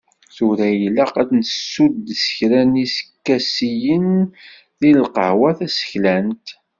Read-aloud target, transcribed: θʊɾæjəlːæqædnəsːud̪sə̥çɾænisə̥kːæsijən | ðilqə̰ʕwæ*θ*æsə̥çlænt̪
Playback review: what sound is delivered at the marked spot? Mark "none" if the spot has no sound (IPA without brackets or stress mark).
θ